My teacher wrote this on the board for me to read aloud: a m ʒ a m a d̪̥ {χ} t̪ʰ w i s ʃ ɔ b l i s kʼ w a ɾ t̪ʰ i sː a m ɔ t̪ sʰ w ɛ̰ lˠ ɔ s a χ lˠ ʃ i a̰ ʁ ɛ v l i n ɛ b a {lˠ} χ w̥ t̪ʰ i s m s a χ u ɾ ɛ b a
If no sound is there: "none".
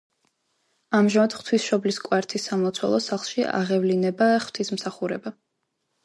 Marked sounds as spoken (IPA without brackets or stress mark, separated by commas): χ, none